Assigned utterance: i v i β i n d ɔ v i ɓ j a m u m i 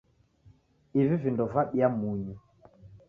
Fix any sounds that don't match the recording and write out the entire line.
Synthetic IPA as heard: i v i v i n d ɔ v a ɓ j a m u ɲ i